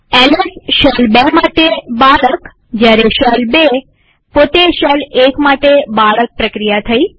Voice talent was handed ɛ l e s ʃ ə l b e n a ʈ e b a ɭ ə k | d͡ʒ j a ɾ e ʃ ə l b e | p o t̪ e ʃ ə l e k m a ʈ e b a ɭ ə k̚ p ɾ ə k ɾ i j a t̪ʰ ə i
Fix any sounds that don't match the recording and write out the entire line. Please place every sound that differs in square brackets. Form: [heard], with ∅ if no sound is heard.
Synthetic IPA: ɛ l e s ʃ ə l b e [m] a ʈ e b a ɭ ə k | d͡ʒ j a ɾ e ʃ ə l b e | p o t̪ e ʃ ə l e k m a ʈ e b a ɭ ə k̚ p ɾ ə k ɾ i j a t̪ʰ ə i